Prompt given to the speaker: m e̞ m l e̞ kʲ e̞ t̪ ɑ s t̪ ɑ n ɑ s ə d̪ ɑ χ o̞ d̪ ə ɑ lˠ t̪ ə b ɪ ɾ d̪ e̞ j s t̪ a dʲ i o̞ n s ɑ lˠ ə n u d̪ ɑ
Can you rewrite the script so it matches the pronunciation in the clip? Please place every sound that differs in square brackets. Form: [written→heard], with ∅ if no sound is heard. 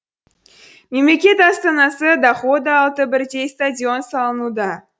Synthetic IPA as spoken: m e̞ m l e̞ kʲ e̞ t̪ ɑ s t̪ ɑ n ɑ s ə d̪ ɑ χ o̞ d̪ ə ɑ lˠ t̪ ə b ɪ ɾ d̪ e̞ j s t̪ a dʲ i o̞ n s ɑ lˠ ə n u d̪ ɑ